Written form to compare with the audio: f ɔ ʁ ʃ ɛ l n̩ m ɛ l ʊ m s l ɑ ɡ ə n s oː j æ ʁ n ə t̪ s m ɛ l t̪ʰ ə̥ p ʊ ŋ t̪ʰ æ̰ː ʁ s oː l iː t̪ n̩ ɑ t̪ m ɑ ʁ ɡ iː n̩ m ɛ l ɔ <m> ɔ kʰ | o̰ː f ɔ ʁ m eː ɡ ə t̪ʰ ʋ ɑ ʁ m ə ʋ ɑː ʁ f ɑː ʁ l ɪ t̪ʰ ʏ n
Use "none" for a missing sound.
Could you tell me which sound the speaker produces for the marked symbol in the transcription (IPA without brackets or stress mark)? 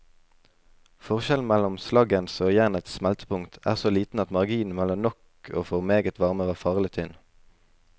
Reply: n